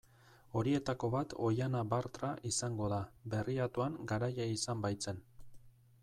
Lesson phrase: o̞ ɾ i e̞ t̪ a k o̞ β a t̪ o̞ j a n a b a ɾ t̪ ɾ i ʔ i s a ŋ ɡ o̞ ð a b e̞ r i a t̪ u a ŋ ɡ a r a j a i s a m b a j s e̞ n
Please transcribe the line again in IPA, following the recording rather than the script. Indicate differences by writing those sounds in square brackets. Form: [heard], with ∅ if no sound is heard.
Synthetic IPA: o̞ ɾ i e̞ t̪ a k o̞ β a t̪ o̞ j a n a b a ɾ t̪ ɾ [a] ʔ i s a ŋ ɡ o̞ ð a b e̞ r i a t̪ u a ŋ ɡ a [ɾ] a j a i s a m b a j [t͡s] e̞ n